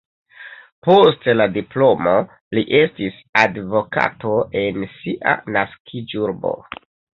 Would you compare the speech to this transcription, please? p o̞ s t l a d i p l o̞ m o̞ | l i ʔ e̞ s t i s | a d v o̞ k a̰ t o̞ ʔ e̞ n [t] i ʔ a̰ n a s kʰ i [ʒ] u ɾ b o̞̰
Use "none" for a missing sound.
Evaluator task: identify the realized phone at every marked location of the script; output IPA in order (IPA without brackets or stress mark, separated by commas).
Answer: s, d͡ʒ